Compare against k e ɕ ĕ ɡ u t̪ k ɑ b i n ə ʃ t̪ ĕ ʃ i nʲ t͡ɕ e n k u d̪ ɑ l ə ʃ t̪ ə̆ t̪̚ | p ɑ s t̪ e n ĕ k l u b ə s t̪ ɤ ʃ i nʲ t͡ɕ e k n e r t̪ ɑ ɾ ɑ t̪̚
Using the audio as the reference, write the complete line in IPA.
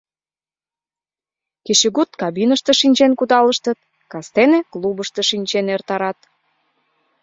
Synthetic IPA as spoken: k e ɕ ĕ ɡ u t̪ k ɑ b i n ə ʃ t̪ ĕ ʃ i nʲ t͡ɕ e n k u d̪ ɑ l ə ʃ t̪ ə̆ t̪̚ | k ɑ s t̪ e n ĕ k l u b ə ʃ t̪ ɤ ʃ i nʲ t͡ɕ e n e r t̪ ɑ ɾ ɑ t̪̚